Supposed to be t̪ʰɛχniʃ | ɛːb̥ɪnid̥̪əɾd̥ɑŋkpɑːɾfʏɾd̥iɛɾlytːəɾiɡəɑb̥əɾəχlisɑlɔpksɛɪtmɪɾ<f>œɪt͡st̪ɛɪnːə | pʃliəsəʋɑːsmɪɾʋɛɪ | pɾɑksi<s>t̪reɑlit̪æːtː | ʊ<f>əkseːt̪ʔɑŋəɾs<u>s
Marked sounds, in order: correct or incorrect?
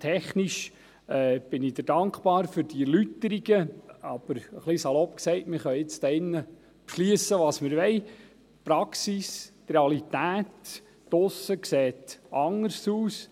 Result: incorrect: χ, correct, incorrect: s, incorrect: uː

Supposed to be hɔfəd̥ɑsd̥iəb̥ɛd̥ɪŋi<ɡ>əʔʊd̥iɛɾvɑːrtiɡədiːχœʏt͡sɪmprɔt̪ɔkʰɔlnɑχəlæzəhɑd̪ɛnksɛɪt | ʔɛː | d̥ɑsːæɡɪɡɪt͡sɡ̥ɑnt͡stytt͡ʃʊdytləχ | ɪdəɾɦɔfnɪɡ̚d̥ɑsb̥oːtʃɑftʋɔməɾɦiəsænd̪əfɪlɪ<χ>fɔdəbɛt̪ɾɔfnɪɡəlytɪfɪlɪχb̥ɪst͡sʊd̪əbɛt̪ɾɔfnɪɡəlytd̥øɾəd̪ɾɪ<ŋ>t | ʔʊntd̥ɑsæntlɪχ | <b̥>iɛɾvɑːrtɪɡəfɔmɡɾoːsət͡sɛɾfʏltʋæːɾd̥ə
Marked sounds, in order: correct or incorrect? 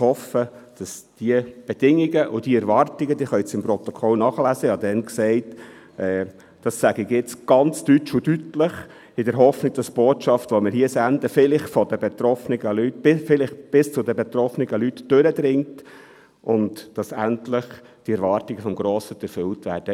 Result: correct, correct, correct, incorrect: d̥

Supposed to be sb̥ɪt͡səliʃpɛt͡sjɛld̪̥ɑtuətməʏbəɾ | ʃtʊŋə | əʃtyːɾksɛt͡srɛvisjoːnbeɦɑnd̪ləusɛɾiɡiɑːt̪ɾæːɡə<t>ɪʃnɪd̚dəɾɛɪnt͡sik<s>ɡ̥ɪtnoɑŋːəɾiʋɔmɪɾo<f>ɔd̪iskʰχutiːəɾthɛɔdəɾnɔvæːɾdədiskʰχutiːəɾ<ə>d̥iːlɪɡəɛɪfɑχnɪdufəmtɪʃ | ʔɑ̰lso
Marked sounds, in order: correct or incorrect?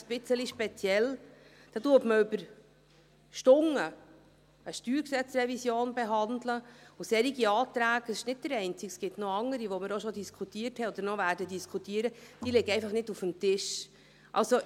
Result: incorrect: s, correct, incorrect: ʃ, correct

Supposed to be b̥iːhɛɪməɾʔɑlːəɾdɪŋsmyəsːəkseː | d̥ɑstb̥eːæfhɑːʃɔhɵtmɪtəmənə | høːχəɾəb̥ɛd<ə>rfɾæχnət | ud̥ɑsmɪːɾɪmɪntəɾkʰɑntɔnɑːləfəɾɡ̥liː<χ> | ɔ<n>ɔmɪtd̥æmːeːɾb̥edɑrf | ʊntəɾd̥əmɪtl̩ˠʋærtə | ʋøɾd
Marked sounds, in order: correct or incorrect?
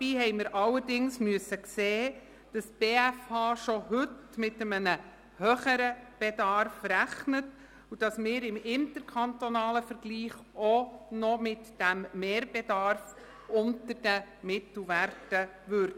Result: incorrect: ɑ, correct, correct

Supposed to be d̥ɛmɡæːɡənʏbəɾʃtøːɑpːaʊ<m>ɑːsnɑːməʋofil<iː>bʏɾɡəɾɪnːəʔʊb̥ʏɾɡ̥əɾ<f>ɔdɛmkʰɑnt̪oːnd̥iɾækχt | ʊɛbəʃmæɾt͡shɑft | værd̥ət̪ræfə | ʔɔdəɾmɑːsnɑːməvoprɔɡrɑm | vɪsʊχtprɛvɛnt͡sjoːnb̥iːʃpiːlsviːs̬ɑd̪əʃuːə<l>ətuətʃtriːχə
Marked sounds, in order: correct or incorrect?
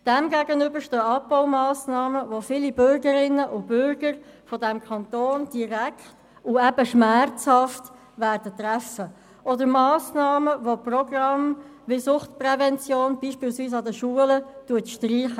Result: correct, incorrect: i, correct, correct

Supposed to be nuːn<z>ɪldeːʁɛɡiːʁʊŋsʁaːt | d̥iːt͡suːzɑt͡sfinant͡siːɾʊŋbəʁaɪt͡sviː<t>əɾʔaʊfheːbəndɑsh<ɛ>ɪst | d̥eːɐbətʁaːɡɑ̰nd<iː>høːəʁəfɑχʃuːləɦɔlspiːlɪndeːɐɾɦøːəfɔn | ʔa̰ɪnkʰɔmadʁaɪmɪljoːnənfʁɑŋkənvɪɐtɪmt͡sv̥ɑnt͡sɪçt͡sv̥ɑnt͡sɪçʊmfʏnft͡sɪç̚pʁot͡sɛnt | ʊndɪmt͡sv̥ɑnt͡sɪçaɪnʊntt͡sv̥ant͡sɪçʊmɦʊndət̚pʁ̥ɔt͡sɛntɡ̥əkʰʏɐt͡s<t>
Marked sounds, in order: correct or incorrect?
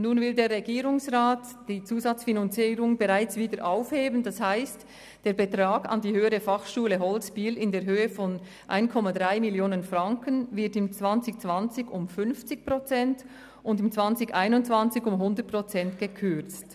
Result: incorrect: v, incorrect: d, incorrect: a, correct, correct

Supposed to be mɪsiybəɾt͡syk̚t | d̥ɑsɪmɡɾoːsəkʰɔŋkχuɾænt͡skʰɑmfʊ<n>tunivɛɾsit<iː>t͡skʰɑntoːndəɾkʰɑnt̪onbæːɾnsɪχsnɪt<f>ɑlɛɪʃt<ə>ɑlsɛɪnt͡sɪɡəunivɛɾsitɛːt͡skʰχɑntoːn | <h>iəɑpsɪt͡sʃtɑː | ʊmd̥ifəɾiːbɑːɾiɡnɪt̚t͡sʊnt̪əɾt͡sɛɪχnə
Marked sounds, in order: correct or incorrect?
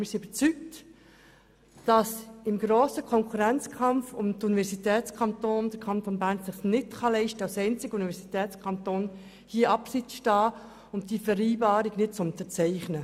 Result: incorrect: m, incorrect: ɛː, incorrect: χ, correct, correct

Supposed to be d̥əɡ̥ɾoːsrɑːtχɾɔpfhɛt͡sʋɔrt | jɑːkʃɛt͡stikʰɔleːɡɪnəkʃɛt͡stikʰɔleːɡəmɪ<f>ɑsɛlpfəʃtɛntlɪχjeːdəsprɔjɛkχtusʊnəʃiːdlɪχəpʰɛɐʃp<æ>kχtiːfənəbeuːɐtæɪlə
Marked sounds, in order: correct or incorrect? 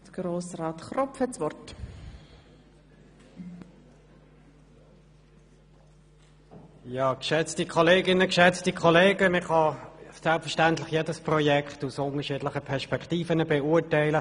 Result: incorrect: χ, incorrect: ɛ

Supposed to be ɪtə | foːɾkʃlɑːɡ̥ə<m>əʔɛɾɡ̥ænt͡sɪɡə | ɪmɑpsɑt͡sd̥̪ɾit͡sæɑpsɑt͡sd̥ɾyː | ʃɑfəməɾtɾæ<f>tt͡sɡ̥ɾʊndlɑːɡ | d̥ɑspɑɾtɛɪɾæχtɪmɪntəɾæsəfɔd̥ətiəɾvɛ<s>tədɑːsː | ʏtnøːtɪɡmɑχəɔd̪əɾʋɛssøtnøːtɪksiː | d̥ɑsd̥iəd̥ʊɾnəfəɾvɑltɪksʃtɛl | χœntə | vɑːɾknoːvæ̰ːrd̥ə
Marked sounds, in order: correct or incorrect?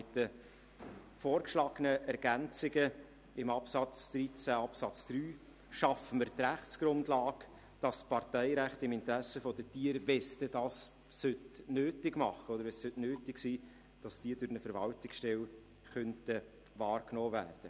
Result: incorrect: n, incorrect: χ, correct

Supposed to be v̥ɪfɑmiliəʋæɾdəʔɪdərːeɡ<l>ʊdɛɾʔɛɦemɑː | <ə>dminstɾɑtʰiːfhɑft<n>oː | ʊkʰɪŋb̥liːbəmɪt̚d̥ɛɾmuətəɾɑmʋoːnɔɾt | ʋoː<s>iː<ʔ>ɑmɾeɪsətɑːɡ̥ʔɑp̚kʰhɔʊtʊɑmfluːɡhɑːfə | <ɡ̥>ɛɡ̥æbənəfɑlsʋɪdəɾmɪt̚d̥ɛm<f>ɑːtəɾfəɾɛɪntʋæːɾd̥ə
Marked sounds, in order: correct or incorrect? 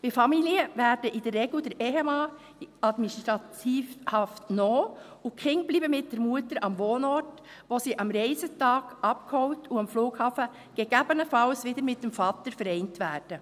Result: correct, incorrect: ɑ, correct, correct, correct, correct, correct

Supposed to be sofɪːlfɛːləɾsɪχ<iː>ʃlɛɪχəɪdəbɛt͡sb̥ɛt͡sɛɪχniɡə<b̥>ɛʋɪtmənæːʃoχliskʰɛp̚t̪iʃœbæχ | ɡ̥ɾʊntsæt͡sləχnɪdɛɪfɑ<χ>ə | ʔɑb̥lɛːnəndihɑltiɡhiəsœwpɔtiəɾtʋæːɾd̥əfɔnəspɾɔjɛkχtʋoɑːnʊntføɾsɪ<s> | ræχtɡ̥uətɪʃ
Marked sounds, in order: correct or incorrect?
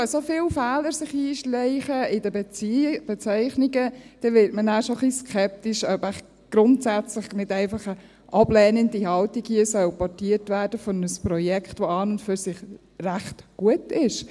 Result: correct, incorrect: d̥, correct, incorrect: χ

